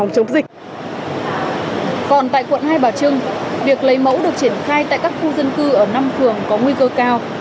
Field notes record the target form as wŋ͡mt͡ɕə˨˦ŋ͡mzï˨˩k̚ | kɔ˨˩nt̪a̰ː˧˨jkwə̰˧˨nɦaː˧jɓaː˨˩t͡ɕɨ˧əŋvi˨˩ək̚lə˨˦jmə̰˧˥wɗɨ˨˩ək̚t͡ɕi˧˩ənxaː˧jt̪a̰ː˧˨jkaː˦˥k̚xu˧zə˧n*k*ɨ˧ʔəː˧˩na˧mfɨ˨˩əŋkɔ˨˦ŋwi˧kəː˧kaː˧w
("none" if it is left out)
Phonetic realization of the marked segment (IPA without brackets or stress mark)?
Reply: k